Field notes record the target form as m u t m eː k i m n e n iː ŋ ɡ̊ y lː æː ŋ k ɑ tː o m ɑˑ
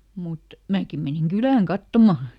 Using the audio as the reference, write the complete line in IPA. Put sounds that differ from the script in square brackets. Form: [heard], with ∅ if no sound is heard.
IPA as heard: m u t m [æː] k i m [m] e n [i] ŋ ɡ̊ y [l] æː ŋ k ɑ tː o m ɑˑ